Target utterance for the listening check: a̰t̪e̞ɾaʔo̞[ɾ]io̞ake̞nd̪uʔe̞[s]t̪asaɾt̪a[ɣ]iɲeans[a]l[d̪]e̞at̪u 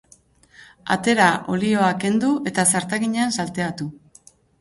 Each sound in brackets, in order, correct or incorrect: incorrect, incorrect, correct, correct, incorrect

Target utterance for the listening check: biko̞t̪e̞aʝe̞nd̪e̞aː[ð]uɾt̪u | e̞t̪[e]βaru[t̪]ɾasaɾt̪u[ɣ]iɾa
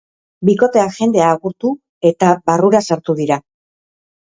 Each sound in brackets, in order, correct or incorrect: incorrect, incorrect, incorrect, incorrect

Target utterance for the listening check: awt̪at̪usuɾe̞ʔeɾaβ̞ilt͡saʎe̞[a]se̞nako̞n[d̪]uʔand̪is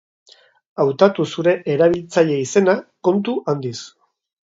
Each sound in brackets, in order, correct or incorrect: incorrect, incorrect

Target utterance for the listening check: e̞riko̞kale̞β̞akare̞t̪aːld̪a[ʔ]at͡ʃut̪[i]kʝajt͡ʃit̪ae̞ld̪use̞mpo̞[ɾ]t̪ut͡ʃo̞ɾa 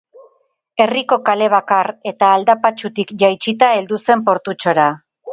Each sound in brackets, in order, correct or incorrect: incorrect, correct, correct

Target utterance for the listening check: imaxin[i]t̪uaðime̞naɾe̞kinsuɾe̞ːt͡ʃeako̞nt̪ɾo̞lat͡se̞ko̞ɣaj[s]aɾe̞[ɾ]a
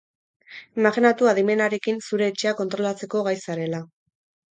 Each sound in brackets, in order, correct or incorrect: incorrect, correct, incorrect

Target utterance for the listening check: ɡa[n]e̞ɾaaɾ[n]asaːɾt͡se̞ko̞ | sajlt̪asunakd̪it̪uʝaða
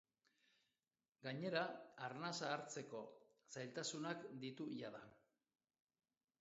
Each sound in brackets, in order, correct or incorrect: incorrect, correct

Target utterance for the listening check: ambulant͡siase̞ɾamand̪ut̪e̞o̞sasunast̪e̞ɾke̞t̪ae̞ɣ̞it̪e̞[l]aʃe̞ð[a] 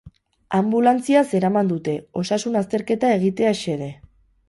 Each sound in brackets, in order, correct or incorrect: incorrect, incorrect

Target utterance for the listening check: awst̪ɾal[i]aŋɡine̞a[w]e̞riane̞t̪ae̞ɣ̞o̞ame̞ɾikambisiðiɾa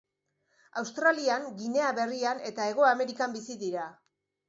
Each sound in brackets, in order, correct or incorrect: correct, incorrect

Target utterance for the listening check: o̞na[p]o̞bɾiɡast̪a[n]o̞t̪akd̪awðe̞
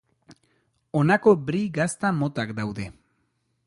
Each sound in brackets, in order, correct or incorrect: incorrect, incorrect

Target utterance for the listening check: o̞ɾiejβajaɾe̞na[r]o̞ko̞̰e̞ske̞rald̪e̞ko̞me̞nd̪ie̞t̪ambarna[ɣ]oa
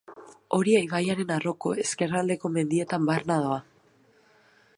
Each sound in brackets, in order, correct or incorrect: correct, incorrect

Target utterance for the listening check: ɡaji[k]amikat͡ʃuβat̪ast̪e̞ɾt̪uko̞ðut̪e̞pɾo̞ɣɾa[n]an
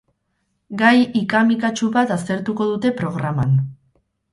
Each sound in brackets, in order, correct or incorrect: correct, incorrect

